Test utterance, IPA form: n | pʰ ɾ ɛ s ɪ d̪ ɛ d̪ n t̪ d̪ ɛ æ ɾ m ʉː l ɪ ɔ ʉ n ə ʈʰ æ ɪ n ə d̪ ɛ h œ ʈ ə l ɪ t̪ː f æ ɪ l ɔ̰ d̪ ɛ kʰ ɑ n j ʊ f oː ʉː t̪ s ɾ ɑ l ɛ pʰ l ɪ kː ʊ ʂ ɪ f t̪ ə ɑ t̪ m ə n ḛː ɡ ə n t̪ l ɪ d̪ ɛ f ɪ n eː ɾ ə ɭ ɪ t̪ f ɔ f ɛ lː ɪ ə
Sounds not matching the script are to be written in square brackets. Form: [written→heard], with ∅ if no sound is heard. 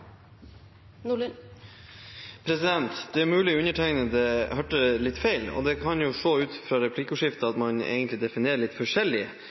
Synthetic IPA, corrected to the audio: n | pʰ ɾ ɛ s ɪ d̪ ɛ [d̪→∅] n t̪ d̪ ɛ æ ɾ m ʉː l ɪ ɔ ʉ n ə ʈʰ æ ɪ n ə d̪ ɛ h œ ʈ ə l ɪ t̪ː f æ ɪ l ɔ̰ d̪ ɛ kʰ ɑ n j ʊ [f→ʂ] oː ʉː t̪ [s→f] ɾ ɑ [l→ɾ] ɛ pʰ l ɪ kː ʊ ʂ ɪ f t̪ ə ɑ t̪ m [ə→ɑ] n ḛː ɡ ə n t̪ l ɪ d̪ ɛ f ɪ n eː ɾ ə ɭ ɪ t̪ f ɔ [f→ʂ] ɛ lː ɪ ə

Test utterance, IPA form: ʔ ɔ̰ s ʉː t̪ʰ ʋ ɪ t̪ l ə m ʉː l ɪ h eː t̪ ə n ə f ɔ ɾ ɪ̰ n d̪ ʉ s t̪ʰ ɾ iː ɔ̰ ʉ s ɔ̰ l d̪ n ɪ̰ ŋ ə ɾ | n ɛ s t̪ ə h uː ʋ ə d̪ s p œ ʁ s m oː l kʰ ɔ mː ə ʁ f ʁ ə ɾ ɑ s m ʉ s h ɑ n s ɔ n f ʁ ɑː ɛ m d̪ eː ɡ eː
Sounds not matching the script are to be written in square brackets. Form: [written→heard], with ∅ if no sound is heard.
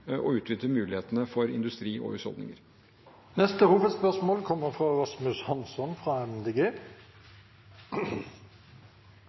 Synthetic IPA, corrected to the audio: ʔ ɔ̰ [s→∅] ʉː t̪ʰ ʋ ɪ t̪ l ə m ʉː l ɪ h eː t̪ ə n ə f ɔ ɾ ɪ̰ n d̪ ʉ s [t̪ʰ→t̪] ɾ iː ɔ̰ ʉ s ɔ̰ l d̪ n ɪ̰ ŋ ə ɾ | n ɛ s t̪ ə h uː ʋ ə d̪ s p œ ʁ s m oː l kʰ ɔ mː ə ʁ f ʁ [ə→ɑ] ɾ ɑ s m ʉ s h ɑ n s ɔ n f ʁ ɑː ɛ m d̪ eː ɡ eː

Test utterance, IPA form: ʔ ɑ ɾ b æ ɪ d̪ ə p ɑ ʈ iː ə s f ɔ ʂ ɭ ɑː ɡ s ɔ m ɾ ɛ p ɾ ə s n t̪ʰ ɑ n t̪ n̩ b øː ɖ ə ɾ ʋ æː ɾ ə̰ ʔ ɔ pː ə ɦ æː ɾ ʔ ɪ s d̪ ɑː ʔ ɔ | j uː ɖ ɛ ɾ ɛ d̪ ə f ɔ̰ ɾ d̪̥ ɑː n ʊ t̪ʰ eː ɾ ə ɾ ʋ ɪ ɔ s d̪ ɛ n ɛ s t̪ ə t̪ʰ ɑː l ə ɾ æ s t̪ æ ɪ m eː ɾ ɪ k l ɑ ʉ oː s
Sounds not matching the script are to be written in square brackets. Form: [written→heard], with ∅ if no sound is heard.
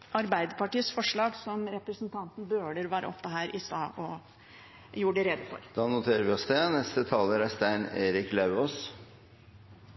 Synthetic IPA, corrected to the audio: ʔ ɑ ɾ b æ ɪ d̪ ə p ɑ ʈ iː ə s f ɔ ʂ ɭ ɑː ɡ s ɔ m ɾ ɛ p ɾ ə s n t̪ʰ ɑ n t̪ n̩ b øː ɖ ə ɾ ʋ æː ɾ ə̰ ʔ ɔ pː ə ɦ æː ɾ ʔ ɪ s [d̪→t̪] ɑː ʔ ɔ | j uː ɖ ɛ ɾ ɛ d̪ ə f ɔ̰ ɾ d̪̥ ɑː n ʊ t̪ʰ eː ɾ ə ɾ ʋ ɪ ɔ s d̪ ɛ n ɛ s t̪ ə t̪ʰ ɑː l ə ɾ æ s t̪ æ ɪ [m→n] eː ɾ ɪ k l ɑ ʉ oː s

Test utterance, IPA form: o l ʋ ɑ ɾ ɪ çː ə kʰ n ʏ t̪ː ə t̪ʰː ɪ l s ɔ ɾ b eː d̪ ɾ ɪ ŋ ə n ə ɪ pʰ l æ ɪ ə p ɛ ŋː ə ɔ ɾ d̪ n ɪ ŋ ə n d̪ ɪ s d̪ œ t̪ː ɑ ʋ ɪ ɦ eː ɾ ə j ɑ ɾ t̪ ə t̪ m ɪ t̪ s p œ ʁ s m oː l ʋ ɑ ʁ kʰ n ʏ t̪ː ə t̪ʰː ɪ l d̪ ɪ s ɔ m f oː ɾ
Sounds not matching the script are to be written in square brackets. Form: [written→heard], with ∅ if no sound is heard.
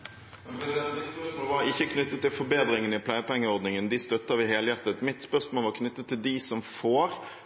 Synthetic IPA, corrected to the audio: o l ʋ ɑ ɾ ɪ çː ə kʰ n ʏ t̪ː ə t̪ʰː ɪ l [s→f] ɔ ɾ b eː d̪ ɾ ɪ ŋ ə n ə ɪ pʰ l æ ɪ ə p ɛ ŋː ə ɔ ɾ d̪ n ɪ ŋ ə n d̪ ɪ s [d̪→t̪] œ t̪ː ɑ ʋ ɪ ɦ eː [ɾ→l] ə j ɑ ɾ t̪ ə t̪ m ɪ t̪ s p œ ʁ s m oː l ʋ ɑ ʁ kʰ n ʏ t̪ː ə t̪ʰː ɪ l d̪ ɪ s ɔ m f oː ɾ

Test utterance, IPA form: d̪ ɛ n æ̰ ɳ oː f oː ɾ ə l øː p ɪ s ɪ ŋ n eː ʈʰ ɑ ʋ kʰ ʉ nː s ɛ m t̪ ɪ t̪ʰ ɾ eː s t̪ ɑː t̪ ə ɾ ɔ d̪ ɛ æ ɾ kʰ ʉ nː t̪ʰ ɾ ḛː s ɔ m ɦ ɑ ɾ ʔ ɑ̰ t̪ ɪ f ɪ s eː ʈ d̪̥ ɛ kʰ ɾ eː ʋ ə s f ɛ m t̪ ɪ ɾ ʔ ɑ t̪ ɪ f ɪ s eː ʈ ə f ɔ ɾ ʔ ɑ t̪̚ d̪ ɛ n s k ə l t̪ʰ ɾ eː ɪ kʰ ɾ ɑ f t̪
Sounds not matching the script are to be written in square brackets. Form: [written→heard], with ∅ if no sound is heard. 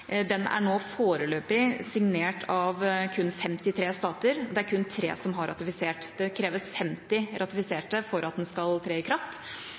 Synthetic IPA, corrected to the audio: d̪ ɛ n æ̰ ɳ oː f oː ɾ ə l øː p ɪ s ɪ ŋ n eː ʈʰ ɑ ʋ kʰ ʉ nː [s→f] ɛ m t̪ ɪ t̪ʰ ɾ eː s t̪ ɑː t̪ ə ɾ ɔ d̪ ɛ æ ɾ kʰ ʉ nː t̪ʰ ɾ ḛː s ɔ m ɦ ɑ ɾ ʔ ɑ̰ t̪ ɪ f ɪ s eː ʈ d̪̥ ɛ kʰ ɾ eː ʋ ə s f ɛ m t̪ ɪ ɾ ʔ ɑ t̪ ɪ f ɪ s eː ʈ ə f ɔ ɾ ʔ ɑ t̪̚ d̪ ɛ n s k [ə→ɑ] l t̪ʰ ɾ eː ɪ kʰ ɾ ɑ f t̪

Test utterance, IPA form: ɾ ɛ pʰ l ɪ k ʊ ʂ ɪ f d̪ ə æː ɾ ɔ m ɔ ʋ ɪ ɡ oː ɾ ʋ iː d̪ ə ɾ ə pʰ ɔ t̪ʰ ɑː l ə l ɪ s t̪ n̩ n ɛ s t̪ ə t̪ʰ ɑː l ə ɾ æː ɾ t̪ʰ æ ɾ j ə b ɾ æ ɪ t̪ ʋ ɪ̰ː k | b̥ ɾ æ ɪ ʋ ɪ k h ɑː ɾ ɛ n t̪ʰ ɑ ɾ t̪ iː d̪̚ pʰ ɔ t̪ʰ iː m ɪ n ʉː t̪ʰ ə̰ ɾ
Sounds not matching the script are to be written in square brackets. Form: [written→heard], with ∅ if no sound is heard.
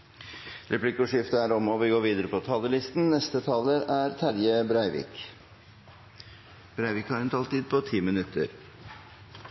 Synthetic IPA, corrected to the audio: ɾ ɛ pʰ l ɪ k ʊ ʂ ɪ f [d̪→t̪] ə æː ɾ ɔ m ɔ ʋ ɪ ɡ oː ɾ ʋ iː d̪ ə ɾ ə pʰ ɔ t̪ʰ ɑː l ə l ɪ s t̪ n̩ n ɛ s t̪ ə t̪ʰ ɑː l ə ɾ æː ɾ t̪ʰ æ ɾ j ə b ɾ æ ɪ [t̪→∅] ʋ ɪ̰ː k | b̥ ɾ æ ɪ ʋ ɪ k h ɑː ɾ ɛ n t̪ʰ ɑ [ɾ→l] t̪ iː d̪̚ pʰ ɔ t̪ʰ iː m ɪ n [ʉː→ʉ] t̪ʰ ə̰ ɾ

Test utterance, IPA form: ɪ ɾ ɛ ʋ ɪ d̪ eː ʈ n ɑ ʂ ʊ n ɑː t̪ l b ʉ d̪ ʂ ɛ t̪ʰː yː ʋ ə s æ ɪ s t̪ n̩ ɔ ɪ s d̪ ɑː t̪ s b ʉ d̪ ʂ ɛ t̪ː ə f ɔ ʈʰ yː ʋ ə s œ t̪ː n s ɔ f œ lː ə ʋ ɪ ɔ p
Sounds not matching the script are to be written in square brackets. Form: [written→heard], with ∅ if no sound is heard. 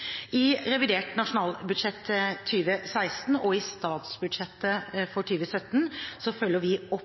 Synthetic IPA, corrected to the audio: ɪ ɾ ɛ ʋ ɪ d̪ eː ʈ n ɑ ʂ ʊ n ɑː [t̪→∅] l b ʉ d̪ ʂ ɛ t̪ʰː yː ʋ ə s æ ɪ s t̪ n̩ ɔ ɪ s [d̪→t̪] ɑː t̪ s b ʉ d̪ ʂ ɛ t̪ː ə f ɔ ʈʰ yː ʋ ə s œ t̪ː n s ɔ f œ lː ə ʋ ɪ ɔ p

